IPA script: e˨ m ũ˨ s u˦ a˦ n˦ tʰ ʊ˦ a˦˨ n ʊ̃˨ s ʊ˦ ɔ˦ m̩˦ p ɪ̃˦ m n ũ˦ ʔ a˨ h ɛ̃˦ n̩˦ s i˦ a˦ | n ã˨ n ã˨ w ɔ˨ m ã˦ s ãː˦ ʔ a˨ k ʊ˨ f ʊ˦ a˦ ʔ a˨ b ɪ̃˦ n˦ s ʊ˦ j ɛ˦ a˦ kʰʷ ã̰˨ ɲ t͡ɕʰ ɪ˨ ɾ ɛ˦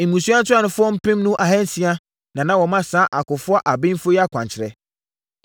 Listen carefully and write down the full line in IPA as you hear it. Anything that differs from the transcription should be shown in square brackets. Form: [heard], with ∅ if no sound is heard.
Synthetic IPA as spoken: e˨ m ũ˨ s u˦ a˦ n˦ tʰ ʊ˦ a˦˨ n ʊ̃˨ [f] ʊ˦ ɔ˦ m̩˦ p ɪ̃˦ m n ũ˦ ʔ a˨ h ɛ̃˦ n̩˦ s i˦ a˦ | n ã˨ n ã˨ w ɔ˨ m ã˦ s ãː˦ ʔ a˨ k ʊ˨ f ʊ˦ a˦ ʔ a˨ b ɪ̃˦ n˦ [f] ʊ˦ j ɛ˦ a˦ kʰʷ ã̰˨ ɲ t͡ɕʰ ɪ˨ ɾ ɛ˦